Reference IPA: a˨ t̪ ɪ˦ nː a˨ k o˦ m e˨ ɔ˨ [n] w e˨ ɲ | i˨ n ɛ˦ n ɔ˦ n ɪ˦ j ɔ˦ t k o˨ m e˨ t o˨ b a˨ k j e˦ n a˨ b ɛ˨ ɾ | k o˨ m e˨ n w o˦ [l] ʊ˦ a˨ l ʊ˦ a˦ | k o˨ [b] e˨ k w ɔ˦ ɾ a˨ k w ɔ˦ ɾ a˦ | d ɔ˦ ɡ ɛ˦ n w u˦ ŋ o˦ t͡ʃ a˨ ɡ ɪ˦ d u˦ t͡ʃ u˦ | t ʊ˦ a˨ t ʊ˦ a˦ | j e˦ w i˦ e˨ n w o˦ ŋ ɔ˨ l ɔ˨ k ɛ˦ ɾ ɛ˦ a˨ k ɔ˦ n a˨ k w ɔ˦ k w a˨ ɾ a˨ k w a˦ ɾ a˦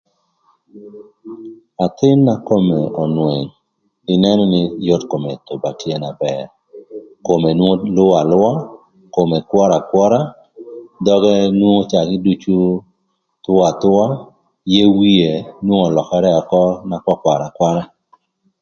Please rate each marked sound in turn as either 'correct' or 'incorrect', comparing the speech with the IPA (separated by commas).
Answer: correct, correct, incorrect